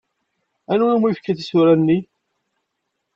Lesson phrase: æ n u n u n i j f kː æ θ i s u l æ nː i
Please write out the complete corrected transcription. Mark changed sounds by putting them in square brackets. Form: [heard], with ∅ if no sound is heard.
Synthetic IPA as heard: æ n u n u [m] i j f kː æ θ i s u [ɾ] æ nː i

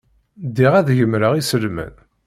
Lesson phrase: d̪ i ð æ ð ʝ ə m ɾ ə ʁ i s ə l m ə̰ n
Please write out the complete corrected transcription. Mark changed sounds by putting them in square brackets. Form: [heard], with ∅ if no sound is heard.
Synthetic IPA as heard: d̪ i [ʁ] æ ð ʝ ə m ɾ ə ʁ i s ə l m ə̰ n

